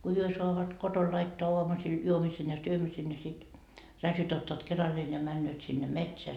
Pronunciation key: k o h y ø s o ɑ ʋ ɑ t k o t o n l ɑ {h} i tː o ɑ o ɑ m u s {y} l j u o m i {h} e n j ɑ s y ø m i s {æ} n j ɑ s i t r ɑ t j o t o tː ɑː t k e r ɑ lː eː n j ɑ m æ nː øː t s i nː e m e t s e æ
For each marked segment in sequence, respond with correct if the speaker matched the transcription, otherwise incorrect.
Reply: incorrect: none, incorrect: i, incorrect: s, incorrect: e

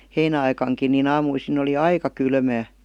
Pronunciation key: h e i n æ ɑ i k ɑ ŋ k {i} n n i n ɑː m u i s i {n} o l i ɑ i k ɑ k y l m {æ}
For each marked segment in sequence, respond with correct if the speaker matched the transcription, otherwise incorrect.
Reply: correct, correct, incorrect: æː

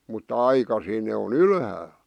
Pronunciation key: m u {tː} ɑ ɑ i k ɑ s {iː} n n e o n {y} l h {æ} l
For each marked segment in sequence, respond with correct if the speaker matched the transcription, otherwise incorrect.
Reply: correct, correct, correct, incorrect: æː

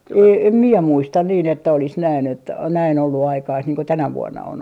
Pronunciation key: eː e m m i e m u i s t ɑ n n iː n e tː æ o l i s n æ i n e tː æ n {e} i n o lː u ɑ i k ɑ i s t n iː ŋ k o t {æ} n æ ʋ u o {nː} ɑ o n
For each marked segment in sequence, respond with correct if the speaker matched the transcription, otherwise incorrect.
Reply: incorrect: æ, correct, correct

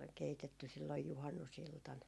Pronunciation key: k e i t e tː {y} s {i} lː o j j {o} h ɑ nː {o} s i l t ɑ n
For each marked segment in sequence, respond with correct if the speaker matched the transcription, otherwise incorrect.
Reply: correct, correct, incorrect: u, incorrect: u

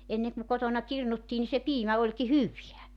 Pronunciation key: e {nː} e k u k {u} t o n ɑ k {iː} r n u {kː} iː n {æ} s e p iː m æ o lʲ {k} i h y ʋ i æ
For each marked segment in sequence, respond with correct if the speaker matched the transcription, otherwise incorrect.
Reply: correct, incorrect: o, incorrect: i, incorrect: tː, incorrect: i, correct

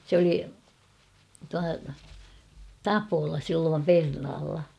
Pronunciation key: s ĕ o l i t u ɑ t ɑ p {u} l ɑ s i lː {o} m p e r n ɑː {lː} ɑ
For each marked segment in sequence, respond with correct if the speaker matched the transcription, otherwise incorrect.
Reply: incorrect: o, incorrect: oː, correct

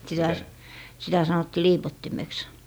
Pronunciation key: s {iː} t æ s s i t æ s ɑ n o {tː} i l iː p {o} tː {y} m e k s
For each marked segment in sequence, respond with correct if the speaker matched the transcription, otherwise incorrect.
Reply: incorrect: i, correct, correct, incorrect: i

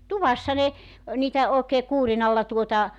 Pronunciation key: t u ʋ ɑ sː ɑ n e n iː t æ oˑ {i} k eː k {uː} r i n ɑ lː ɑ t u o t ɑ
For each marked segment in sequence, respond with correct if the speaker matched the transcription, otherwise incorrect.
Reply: incorrect: e, correct

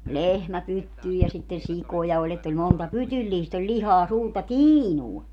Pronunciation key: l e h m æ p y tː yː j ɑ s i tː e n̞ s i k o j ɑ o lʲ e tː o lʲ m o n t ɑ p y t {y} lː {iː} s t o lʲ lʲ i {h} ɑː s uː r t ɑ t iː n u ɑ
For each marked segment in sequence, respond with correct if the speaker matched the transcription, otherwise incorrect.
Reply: correct, correct, correct

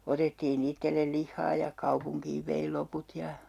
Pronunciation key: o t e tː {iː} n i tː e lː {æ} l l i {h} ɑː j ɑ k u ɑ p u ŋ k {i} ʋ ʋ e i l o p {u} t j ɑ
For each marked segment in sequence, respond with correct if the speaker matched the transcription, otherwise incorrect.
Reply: correct, incorrect: e, incorrect: hː, incorrect: iː, correct

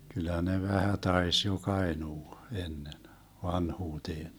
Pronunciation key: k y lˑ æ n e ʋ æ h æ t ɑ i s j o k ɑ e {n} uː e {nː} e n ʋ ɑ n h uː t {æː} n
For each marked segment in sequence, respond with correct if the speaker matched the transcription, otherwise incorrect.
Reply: correct, correct, incorrect: eː

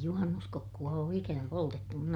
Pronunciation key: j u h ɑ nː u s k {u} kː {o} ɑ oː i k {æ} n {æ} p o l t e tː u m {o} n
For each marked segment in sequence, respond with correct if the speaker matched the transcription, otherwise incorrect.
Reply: incorrect: o, incorrect: u, correct, correct, incorrect: u

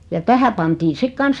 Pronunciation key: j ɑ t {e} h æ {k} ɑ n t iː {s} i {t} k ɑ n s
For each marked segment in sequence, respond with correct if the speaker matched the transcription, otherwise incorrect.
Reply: incorrect: æ, incorrect: p, correct, incorrect: k

